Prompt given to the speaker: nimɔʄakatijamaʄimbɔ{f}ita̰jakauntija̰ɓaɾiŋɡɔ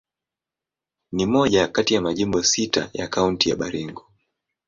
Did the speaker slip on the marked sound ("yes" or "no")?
yes